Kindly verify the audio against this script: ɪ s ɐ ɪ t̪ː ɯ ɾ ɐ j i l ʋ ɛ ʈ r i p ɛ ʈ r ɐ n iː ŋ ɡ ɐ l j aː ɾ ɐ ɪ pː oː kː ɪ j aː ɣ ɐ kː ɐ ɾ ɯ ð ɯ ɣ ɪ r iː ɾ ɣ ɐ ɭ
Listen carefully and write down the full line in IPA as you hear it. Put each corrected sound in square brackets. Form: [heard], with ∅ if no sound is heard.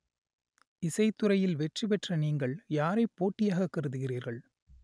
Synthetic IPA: ɪ s ɐ ɪ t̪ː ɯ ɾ ɐ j [ɪ] l ʋ ɛ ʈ r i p ɛ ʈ r ɐ n iː ŋ ɡ ɐ [ɭ] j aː ɾ ɐ ɪ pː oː [ʈː] ɪ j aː ɣ ɐ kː ɐ ɾ ɯ ð ɯ ɣ ɪ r iː ɾ ɣ ɐ ɭ

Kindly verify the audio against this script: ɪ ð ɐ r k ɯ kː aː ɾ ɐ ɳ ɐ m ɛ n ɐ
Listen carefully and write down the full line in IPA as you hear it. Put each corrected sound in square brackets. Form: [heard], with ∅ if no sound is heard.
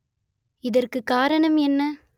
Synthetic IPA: ɪ ð ɐ r k ɯ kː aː ɾ ɐ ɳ ɐ m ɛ [nː] ɐ

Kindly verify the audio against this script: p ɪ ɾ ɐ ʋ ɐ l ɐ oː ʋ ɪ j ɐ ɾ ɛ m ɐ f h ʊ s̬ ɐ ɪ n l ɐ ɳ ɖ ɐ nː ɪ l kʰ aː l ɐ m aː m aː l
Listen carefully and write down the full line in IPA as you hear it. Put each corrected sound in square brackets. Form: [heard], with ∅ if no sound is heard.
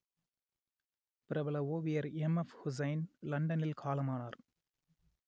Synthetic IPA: p ɪ ɾ ɐ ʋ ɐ l ɐ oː ʋ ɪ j ɐ ɾ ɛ m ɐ f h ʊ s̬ ɐ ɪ n l ɐ ɳ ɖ ɐ [n] ɪ l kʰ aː l ɐ m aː [n] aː [ɾ]

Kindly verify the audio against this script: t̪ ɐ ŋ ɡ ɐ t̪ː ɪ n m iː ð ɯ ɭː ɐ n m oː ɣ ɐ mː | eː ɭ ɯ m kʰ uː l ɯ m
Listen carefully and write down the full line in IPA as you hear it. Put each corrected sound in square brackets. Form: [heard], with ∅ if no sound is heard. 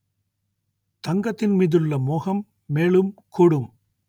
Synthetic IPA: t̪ ɐ ŋ ɡ ɐ t̪ː ɪ n m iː ð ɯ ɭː ɐ [∅] m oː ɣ ɐ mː | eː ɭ ɯ m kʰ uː [ɽ] ɯ m

